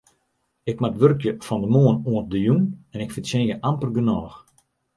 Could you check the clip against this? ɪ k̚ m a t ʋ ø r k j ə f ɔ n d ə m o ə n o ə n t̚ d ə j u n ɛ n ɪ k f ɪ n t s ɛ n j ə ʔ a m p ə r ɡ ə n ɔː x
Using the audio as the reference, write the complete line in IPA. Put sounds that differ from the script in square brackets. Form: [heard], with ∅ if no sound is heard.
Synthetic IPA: ɪ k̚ m a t ʋ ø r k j ə f ɔ n d ə m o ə n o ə n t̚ d ə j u n ɛ n ɪ k f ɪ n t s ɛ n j ə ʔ a m p ə r ɡ ə n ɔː x